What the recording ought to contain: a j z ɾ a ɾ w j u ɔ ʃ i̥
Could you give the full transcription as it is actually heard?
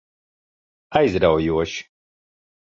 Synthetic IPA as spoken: a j z ɾ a w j u ɔ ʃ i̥